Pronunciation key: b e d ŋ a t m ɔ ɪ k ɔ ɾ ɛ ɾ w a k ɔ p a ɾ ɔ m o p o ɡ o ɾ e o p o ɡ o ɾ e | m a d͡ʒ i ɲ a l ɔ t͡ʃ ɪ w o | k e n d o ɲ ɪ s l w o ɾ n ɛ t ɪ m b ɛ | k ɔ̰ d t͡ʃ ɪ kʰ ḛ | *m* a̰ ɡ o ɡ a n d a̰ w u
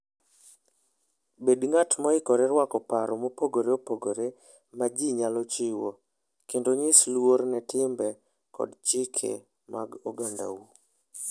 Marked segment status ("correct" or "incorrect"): correct